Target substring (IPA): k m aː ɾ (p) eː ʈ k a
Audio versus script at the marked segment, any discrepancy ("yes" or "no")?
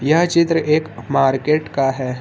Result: yes